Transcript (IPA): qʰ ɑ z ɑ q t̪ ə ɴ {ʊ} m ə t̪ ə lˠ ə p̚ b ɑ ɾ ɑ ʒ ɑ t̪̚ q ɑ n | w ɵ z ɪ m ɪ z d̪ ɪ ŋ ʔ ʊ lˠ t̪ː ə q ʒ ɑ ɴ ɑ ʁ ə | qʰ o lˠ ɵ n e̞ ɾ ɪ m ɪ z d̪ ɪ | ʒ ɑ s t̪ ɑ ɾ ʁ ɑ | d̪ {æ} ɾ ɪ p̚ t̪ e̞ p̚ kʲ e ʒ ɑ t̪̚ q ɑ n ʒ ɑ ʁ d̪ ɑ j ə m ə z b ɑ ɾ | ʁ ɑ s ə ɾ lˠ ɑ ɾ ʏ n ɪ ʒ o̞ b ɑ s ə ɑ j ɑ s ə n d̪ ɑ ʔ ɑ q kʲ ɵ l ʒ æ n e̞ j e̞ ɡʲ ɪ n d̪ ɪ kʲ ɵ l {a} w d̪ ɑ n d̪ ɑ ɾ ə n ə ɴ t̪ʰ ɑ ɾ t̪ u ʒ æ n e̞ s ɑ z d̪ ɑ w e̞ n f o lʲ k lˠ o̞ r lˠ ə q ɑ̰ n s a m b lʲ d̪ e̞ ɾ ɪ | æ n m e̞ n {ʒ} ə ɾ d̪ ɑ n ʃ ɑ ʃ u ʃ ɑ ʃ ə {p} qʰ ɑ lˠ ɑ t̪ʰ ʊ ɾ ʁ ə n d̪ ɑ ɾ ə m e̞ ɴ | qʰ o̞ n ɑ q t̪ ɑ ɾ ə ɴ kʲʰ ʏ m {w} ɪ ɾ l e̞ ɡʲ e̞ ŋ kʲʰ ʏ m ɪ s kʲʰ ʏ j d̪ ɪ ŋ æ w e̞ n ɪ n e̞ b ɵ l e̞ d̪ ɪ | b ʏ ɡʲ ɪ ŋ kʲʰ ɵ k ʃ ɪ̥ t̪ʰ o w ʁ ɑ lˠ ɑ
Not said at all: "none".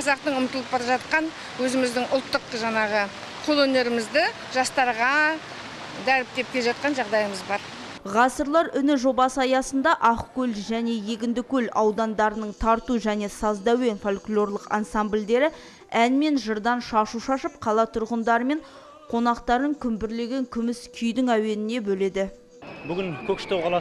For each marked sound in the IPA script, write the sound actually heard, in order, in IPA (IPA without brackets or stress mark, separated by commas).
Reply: ʊ, æ, ɑ, ʒ, p, b